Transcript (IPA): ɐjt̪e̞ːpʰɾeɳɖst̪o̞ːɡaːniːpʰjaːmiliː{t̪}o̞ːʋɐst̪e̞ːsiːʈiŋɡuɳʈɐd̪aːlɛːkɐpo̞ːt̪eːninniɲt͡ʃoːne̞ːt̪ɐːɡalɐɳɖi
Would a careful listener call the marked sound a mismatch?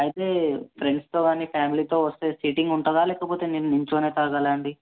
no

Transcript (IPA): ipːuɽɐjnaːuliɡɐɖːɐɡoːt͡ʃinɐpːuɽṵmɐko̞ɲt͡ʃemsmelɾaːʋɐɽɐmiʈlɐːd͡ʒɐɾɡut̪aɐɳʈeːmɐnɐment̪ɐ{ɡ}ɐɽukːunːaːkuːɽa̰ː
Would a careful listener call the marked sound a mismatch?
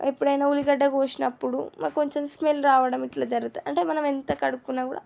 yes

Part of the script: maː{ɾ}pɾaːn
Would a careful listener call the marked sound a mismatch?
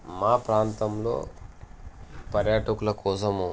yes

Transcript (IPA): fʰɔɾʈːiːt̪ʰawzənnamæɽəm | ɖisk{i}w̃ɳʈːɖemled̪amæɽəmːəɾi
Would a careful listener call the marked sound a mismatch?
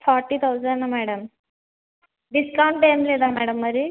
yes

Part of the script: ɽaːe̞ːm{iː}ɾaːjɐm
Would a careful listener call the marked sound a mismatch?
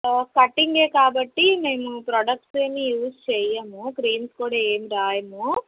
yes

